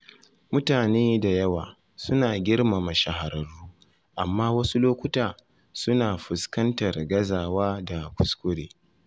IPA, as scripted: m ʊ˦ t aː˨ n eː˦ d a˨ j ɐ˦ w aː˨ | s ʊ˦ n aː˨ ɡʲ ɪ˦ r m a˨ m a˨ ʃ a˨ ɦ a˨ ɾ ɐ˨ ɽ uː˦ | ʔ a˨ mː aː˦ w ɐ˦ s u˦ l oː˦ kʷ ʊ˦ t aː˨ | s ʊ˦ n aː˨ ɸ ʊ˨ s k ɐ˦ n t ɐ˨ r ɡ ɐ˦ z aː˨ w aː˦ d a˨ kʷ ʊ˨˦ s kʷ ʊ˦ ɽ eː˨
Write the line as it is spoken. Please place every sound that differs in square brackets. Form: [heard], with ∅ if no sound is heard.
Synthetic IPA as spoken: m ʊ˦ t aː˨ n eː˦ d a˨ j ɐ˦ w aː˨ | s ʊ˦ n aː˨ ɡʲ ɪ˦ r m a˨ m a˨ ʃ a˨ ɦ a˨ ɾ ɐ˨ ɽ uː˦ | ʔ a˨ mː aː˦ w ɐ˦ s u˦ l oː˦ kʷ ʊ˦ t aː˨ | s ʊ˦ n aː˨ ɸ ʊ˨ s k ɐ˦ n t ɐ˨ r ɡ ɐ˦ z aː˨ w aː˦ d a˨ kʷ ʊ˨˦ s kʷ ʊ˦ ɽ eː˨

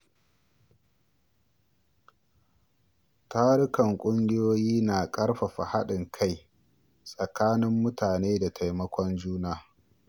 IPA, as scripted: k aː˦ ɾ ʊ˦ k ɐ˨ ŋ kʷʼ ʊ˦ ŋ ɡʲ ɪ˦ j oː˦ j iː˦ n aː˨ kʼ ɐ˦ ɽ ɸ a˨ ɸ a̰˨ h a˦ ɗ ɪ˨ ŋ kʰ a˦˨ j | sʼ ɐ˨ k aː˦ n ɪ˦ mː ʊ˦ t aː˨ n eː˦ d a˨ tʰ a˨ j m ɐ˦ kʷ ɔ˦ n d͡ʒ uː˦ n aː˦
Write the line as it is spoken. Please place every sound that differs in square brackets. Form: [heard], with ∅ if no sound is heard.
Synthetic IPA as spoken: [t] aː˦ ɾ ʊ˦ k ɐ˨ ŋ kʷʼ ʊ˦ ŋ ɡʲ ɪ˦ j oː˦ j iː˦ n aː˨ kʼ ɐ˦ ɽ ɸ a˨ ɸ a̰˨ h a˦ ɗ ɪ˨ ŋ kʰ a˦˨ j | sʼ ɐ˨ k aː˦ n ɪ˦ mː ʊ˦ t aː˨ n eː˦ d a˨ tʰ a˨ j m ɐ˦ kʷ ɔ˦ n d͡ʒ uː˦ n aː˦

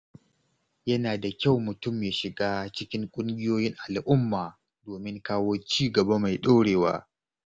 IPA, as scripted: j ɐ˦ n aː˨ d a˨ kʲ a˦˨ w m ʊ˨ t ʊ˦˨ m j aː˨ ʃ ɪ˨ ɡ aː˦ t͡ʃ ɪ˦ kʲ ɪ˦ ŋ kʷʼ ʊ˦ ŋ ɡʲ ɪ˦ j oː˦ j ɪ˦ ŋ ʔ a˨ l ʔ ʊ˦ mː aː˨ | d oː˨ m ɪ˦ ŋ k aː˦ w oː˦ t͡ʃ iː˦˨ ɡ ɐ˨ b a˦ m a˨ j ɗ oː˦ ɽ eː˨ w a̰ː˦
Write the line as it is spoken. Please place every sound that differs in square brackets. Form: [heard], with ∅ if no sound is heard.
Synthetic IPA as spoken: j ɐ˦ n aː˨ d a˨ kʲ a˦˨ w m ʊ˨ t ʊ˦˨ m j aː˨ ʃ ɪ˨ ɡ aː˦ t͡ʃ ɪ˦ kʲ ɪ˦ ŋ kʷʼ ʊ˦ ŋ ɡʲ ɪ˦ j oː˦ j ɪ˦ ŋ ʔ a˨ l ʔ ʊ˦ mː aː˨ | d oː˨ m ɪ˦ ŋ k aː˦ w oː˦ t͡ʃ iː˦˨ ɡ ɐ˨ b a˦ m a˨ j ɗ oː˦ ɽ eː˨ w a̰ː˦

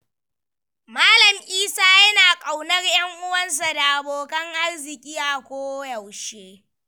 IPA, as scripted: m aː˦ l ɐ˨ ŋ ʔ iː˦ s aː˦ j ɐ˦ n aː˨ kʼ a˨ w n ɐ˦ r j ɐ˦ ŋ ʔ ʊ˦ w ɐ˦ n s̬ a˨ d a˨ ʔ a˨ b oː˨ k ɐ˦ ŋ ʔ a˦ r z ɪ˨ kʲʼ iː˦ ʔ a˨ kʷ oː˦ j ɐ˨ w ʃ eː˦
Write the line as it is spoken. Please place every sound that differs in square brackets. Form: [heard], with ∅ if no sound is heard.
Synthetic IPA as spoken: m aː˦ l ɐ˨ [m] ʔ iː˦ s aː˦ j ɐ˦ n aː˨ kʼ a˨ w n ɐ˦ r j ɐ˦ ŋ ʔ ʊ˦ w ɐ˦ n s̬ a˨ d a˨ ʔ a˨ b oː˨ k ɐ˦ ŋ ʔ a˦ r z ɪ˨ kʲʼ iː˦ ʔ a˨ kʷ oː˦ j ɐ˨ w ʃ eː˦

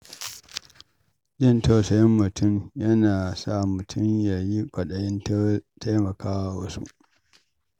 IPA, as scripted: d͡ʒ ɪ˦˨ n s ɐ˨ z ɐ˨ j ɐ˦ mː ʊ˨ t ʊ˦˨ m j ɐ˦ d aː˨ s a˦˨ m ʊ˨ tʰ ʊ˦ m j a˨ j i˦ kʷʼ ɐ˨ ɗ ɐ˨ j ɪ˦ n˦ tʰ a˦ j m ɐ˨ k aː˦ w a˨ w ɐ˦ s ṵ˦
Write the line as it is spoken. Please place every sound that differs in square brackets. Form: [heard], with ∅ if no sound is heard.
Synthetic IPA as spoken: d͡ʒ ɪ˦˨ n [t] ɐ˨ [s] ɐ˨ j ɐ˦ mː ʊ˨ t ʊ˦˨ m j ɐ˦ [n] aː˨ s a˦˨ m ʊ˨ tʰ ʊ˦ m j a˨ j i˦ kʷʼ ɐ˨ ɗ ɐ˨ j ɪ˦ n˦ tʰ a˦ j m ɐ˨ k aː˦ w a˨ w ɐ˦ s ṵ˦

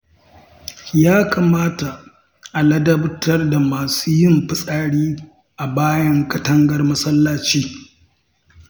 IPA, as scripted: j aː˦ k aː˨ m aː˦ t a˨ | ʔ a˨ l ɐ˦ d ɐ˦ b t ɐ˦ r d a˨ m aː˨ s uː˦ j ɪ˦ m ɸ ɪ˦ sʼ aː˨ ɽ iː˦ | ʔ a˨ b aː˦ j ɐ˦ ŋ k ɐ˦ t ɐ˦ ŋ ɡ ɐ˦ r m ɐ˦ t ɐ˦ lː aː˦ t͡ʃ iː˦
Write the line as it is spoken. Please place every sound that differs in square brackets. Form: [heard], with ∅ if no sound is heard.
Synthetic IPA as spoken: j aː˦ k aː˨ m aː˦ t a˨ | ʔ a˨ l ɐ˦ d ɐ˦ b t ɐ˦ r d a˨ m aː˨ s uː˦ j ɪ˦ m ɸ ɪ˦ sʼ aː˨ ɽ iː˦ | ʔ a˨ b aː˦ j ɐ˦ ŋ k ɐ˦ t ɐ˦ ŋ ɡ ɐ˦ r m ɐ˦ [s] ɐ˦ lː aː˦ t͡ʃ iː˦

